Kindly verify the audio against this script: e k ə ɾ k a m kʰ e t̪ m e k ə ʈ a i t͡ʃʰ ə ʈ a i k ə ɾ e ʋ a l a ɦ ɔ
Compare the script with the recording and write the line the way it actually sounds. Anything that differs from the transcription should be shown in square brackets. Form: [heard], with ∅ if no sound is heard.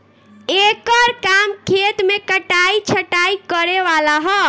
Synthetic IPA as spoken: e k ə ɾ k a m kʰ e t̪ m e k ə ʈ a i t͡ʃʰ ə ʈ a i k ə ɾ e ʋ a l a ɦ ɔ